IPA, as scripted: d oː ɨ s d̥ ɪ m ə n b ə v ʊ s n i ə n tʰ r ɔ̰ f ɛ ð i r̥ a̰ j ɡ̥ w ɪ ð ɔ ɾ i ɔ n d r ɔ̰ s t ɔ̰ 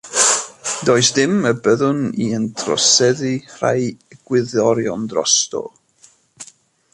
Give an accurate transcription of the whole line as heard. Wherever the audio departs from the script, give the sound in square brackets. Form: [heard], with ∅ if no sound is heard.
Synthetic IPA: d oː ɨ s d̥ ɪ m ə [∅] b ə [ð] ʊ [∅] n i ə n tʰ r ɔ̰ [s] ɛ ð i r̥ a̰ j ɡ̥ w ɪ ð ɔ ɾ [j] ɔ n d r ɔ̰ s t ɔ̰